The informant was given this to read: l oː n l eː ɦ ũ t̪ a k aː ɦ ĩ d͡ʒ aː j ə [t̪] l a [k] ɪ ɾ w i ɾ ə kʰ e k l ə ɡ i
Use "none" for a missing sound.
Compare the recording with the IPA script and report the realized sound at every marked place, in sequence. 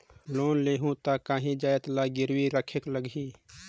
t̪, ɡ

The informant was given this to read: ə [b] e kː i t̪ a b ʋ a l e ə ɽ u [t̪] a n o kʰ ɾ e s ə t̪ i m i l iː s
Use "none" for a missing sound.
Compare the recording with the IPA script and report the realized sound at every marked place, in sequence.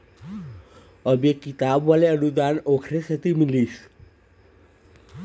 b, d̪

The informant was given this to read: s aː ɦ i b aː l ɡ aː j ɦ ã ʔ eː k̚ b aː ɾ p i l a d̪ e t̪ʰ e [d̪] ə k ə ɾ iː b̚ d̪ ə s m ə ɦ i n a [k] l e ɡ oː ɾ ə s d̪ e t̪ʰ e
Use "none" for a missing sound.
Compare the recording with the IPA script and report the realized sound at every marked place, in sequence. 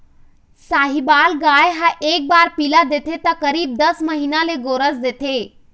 t̪, none

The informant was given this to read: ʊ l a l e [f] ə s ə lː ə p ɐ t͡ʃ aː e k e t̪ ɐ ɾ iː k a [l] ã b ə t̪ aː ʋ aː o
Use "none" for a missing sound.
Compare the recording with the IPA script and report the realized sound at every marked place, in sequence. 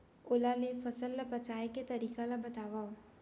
f, l

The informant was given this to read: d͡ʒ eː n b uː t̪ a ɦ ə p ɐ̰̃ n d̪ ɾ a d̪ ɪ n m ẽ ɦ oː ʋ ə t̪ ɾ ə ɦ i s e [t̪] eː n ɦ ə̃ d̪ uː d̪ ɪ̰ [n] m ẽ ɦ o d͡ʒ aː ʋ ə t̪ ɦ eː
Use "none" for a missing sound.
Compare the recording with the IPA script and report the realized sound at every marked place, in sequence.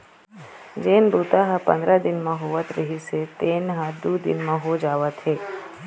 t̪, n

